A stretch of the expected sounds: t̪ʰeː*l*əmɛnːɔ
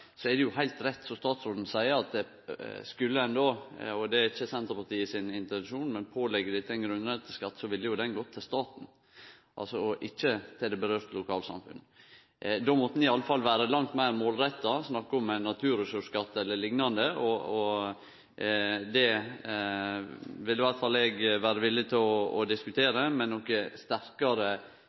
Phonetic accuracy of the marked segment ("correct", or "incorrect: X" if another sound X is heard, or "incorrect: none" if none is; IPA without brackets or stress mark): incorrect: ɾ